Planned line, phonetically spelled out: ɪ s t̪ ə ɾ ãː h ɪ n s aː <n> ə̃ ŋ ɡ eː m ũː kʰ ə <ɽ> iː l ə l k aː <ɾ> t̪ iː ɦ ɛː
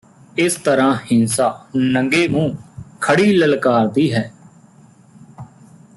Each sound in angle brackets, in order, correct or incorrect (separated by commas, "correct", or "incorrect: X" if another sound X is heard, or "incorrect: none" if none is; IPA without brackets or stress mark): correct, correct, correct